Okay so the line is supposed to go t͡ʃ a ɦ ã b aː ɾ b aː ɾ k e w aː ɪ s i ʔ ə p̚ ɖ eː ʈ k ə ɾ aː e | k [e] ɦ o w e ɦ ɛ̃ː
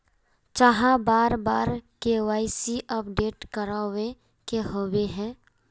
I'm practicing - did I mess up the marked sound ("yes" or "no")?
no